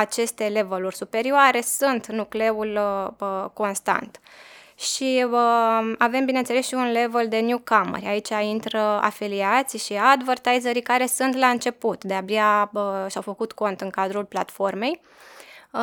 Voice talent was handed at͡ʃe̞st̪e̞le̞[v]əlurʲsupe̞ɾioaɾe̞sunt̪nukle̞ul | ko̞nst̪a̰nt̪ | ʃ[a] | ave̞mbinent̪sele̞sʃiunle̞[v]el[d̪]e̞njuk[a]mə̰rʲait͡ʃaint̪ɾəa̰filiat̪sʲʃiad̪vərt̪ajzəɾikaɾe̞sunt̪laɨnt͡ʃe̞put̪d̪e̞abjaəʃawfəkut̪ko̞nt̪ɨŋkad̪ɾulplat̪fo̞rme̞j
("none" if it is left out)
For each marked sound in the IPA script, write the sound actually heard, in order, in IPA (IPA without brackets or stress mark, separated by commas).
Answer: v, i, v, d̪, a